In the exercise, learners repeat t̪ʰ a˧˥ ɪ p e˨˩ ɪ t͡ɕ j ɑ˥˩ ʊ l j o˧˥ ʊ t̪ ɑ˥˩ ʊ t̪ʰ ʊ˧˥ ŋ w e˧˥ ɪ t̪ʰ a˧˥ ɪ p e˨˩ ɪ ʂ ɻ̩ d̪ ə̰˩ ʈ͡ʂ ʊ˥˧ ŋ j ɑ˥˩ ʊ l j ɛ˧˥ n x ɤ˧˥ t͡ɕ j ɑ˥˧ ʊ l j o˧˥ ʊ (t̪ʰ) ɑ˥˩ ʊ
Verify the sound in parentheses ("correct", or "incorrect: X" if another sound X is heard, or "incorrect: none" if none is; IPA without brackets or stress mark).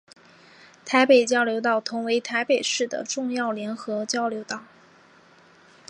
incorrect: t̪